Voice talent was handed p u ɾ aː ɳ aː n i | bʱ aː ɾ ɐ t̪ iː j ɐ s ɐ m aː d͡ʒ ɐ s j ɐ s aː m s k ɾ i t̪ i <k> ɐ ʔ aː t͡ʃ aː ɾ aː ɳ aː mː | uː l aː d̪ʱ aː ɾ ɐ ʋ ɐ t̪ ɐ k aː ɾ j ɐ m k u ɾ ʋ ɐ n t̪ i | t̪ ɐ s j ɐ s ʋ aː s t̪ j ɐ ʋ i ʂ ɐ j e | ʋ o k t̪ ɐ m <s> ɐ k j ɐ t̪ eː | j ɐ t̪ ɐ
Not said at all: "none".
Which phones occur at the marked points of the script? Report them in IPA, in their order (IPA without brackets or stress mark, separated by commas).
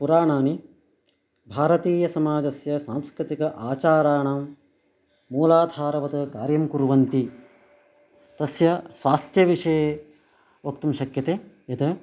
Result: k, ʃ